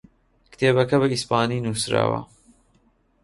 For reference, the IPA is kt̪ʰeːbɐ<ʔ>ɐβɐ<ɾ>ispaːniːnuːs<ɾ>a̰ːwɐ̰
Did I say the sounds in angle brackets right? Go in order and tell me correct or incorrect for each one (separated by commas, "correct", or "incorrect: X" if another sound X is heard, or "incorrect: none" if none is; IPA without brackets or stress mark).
incorrect: k, incorrect: none, correct